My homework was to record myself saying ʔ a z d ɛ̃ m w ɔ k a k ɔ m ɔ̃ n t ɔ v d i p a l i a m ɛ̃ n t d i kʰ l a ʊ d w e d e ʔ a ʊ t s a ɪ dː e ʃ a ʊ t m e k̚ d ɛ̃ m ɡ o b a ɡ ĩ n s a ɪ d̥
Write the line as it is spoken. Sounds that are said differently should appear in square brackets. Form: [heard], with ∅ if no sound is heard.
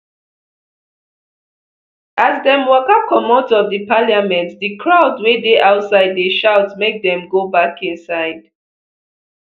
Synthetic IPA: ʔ a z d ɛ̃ m w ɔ k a k ɔ m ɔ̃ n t ɔ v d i p a l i a m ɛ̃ n t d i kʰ [ɹ] a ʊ d w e d e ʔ a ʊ t s a ɪ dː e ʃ a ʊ t m e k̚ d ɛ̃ m ɡ o b a [k] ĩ n s a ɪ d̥